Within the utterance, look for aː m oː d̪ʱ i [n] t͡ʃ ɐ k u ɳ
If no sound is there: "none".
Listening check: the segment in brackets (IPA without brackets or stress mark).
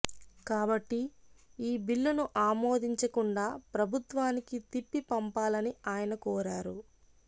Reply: ɲ